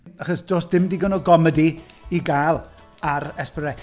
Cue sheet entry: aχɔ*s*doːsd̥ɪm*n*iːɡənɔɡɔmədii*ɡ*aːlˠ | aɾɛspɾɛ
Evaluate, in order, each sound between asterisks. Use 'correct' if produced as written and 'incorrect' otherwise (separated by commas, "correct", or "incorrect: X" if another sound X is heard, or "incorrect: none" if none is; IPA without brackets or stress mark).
correct, incorrect: d, correct